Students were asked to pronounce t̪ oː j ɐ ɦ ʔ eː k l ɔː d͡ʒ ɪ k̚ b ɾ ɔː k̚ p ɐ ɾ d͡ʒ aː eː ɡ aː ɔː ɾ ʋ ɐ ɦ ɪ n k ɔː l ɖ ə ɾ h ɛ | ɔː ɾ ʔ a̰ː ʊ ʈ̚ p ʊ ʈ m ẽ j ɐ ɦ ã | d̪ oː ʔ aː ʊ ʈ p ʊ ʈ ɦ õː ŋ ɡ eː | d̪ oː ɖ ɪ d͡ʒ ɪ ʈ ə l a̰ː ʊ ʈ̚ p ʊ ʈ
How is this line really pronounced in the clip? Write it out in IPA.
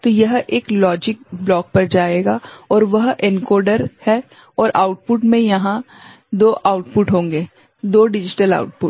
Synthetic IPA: t̪ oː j ɐ ɦ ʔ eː k l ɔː d͡ʒ ɪ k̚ b l ɔː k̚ p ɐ ɾ d͡ʒ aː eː ɡ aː ɔː ɾ ʋ ɐ ɦ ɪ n k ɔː ɾ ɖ ə ɾ h ɛ | ɔː ɾ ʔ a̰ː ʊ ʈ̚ p ʊ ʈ m ẽ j ɐ ɦ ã | d̪ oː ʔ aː ʊ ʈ p ʊ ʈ ɦ õː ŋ ɡ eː | d̪ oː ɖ ɪ d͡ʒ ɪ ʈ ə l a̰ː ʊ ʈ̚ p ʊ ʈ